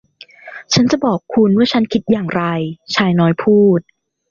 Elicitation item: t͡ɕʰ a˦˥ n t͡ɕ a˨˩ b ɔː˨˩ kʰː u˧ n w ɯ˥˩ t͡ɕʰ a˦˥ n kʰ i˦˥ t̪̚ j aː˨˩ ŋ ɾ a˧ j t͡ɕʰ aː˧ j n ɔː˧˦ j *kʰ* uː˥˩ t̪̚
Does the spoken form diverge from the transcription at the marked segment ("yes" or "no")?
yes